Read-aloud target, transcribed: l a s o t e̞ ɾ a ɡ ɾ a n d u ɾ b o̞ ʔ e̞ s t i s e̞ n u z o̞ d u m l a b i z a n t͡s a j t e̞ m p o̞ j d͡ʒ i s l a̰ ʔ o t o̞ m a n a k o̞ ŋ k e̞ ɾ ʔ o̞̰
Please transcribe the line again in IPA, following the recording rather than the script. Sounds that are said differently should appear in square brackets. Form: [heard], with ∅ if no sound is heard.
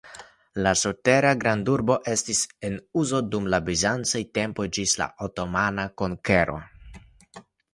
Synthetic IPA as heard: l a s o t e̞ ɾ a ɡ ɾ a n d u ɾ b o̞ ʔ e̞ s t i s e̞ n u z o̞ d u m l a b i z a n t͡s a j t e̞ m p o̞ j d͡ʒ i s l a̰ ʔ o t o̞ m a n a k o̞ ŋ k e̞ ɾ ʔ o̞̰